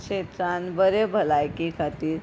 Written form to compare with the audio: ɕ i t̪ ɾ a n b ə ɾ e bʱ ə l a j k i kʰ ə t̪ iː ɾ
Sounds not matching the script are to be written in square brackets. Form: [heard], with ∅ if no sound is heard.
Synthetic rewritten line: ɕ [e] t̪ ɾ a n b ə ɾ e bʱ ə l a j k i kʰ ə t̪ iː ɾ